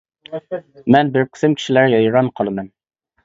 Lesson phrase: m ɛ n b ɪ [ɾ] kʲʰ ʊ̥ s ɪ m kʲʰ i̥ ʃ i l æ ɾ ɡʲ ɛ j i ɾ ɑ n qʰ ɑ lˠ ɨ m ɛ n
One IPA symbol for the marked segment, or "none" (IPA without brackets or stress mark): ɾ